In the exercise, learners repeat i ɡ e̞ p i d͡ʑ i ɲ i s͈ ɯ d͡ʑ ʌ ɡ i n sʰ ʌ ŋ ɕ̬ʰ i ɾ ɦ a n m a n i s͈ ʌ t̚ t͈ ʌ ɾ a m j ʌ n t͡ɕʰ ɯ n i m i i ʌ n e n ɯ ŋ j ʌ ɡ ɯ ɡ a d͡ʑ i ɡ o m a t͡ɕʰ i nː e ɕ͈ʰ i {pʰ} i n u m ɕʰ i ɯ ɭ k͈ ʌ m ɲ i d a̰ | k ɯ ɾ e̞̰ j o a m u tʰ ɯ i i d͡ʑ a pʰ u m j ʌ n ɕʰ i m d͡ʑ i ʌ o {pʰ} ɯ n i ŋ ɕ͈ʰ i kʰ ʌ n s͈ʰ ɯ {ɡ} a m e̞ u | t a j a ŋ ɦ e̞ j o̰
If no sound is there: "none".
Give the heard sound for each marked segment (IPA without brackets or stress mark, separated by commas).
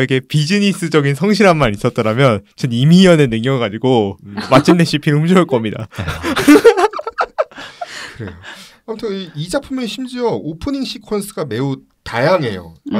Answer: pʰ, pʰ, ɡ